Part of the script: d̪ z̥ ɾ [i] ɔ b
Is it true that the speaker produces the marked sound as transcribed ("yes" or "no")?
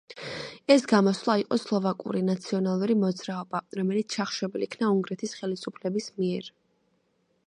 no